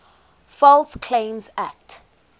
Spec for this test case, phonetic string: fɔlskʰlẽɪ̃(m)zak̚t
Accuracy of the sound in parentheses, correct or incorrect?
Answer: correct